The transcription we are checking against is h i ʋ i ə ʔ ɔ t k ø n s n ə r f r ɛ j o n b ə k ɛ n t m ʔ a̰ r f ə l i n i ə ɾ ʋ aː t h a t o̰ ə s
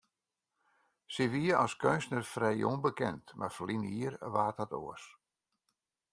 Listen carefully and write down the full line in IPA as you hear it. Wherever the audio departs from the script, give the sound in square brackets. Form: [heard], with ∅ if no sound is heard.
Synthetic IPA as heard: [s] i ʋ i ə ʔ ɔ [s] k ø n s n ə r f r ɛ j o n b ə k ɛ n t m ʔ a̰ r f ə l i n i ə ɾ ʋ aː t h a t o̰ ə s